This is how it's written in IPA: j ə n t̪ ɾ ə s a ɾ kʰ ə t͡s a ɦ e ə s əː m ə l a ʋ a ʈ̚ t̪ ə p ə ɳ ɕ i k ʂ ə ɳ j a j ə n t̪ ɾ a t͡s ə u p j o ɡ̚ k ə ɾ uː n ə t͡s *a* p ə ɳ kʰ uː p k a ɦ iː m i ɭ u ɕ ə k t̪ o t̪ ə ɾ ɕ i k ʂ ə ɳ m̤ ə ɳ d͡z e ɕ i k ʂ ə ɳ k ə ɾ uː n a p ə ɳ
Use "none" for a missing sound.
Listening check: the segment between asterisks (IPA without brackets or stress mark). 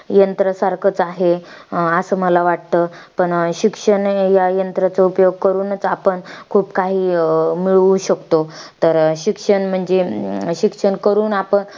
a